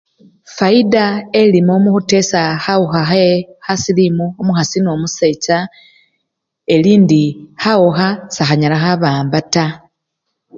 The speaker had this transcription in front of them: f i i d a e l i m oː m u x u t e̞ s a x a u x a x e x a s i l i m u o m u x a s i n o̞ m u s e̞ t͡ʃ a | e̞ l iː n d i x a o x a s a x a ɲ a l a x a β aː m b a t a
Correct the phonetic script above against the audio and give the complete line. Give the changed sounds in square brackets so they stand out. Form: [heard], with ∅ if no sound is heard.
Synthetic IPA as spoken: f [a] i d a e l i m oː m u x u t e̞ s a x a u x a x e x a s i l i m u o m u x a s i n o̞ m u s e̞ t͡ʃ a | e̞ l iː n d i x a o x a s a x a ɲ a l a x a β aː m b a t a